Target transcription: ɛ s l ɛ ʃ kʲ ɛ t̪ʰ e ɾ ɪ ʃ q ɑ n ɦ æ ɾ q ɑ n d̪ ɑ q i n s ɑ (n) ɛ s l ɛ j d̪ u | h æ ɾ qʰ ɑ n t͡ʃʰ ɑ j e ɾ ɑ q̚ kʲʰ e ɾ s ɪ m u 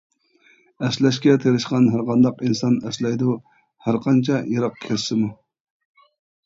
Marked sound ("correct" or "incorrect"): correct